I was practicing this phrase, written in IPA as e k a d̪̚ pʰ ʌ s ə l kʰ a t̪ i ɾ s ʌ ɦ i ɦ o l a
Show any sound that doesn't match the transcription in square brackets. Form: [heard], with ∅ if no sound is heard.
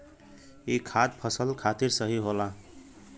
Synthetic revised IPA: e [kʰ] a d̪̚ pʰ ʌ s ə l kʰ a t̪ i ɾ s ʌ ɦ i ɦ o l a